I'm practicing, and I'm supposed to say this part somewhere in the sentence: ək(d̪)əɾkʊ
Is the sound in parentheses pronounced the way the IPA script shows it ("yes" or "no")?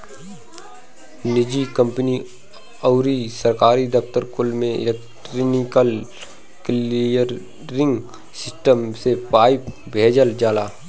no